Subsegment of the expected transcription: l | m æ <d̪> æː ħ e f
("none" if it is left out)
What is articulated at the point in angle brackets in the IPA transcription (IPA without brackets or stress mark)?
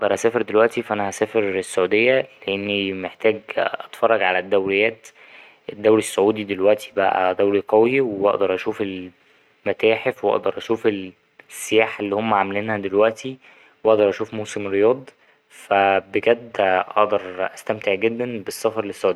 t̪